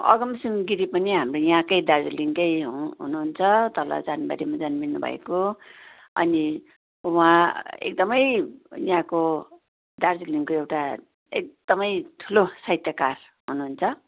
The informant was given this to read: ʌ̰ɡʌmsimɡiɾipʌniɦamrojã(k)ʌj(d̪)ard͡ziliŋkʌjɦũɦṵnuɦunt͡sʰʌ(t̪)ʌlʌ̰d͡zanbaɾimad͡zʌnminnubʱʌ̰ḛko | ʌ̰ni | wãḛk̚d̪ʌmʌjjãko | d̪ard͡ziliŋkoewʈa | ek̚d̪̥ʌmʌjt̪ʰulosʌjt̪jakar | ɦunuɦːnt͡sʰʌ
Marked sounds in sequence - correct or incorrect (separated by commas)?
correct, correct, correct